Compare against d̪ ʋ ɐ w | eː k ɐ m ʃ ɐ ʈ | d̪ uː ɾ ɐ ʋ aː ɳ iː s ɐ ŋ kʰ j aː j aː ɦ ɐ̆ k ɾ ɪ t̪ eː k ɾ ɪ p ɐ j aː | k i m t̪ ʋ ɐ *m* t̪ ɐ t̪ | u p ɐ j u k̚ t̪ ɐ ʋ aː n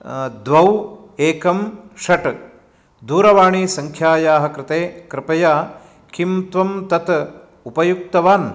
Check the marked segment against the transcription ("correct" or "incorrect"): correct